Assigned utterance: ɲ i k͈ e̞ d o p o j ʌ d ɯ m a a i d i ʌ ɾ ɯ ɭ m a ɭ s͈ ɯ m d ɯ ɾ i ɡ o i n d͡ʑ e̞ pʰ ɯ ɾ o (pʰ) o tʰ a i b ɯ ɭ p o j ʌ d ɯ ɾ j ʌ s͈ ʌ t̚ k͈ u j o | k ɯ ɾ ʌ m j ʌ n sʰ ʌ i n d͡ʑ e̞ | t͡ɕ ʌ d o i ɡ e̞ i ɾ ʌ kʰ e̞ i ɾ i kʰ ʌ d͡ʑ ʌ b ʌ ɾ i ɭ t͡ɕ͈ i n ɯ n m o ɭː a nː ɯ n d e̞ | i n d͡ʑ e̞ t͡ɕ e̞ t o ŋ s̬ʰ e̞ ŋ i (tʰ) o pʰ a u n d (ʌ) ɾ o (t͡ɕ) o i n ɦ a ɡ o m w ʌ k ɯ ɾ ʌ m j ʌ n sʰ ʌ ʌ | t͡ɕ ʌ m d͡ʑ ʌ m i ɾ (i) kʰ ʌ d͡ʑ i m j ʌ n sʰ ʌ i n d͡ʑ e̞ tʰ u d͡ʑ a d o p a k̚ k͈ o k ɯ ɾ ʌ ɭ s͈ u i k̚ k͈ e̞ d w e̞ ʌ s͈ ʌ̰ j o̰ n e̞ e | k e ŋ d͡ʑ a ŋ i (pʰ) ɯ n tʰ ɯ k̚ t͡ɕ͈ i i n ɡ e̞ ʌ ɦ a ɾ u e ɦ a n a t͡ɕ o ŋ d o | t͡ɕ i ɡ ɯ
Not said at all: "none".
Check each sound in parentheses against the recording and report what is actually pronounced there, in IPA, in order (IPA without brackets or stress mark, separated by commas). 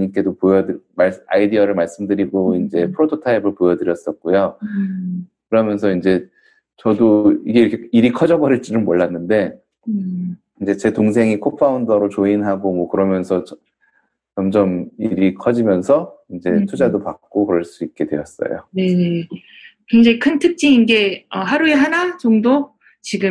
tʰ, kʰ, ʌ, t͡ɕ, i, kʰ